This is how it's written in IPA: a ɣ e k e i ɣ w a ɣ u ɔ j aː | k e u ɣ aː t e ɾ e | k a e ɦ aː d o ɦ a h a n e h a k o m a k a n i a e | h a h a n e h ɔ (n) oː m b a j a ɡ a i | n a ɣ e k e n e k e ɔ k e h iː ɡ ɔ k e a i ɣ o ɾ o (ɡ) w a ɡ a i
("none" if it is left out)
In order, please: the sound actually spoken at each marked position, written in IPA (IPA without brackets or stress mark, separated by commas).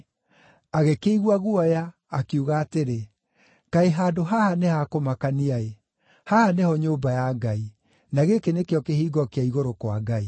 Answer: ɲ, k